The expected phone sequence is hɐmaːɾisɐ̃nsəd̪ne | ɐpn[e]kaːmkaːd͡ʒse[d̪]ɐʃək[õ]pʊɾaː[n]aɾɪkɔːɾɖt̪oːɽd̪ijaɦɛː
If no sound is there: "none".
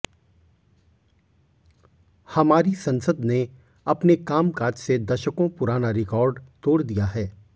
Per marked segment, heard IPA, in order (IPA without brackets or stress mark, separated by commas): e, d̪, õ, n